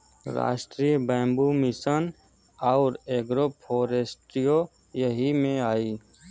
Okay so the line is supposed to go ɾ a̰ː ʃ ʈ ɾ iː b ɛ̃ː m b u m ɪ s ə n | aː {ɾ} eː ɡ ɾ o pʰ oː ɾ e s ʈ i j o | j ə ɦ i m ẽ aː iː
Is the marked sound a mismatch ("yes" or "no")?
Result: no